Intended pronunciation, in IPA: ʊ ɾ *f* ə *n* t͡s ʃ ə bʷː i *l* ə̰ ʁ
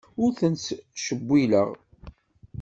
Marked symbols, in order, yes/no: no, yes, yes

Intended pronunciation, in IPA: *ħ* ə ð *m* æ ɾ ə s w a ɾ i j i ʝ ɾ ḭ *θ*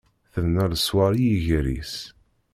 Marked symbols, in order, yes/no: no, no, no

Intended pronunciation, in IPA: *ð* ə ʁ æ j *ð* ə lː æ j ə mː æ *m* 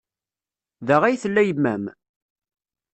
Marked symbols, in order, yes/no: yes, no, yes

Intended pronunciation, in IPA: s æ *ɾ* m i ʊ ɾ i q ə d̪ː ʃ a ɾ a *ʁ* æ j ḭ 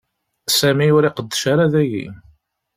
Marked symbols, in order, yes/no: no, no

